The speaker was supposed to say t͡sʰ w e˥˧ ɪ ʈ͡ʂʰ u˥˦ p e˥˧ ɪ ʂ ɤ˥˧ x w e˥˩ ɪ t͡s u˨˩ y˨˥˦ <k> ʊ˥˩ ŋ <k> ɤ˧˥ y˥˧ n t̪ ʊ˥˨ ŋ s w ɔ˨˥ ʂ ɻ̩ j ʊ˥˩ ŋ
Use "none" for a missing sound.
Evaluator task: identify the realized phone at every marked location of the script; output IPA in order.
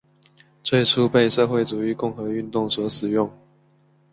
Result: k, x

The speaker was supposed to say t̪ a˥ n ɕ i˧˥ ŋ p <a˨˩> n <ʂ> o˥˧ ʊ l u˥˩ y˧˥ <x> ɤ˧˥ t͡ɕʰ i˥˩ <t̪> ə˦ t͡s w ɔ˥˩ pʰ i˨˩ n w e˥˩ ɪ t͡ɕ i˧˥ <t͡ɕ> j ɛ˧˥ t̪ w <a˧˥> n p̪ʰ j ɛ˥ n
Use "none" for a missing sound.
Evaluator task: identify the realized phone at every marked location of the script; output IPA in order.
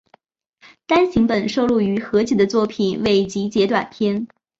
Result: ə˨˩, ʂ, x, d̪, t͡ɕ, a˨˩

